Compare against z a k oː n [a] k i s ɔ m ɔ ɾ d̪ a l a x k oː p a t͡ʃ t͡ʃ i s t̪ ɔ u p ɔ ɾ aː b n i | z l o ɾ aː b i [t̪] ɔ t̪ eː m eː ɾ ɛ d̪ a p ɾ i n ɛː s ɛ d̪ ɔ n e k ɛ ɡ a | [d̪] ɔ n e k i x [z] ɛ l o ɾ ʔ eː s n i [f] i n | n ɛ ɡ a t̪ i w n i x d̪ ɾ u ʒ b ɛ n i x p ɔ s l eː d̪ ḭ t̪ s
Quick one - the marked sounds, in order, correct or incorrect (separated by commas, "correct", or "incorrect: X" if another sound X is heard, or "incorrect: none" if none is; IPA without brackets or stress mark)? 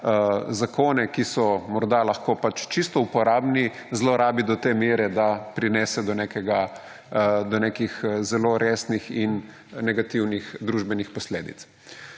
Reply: incorrect: ɛ, incorrect: d̪, correct, correct, incorrect: x